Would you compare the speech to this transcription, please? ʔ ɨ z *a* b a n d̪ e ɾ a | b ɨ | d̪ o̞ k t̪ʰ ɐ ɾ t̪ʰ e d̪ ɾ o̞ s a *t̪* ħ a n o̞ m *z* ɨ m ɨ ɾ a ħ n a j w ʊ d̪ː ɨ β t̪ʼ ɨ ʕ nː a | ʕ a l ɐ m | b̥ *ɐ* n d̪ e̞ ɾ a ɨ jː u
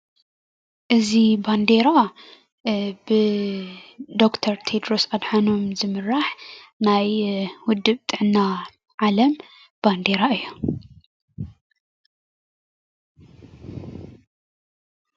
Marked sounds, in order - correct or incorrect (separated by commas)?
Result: incorrect, incorrect, correct, incorrect